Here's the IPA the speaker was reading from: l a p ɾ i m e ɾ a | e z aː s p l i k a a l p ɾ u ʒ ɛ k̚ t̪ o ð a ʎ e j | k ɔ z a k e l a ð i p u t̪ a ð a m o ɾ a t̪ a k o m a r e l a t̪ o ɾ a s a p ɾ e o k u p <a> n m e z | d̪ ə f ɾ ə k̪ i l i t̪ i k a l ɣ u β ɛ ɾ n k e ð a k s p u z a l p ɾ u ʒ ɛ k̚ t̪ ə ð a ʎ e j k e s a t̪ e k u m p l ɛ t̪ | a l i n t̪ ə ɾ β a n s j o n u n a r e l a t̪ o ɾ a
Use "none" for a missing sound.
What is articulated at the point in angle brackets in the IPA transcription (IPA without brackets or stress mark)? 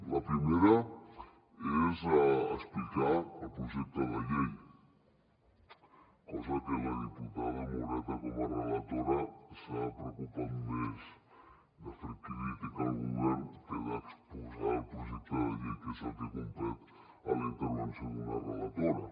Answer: a